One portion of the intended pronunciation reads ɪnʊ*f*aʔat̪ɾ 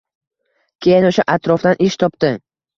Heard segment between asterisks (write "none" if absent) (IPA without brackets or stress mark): ʃ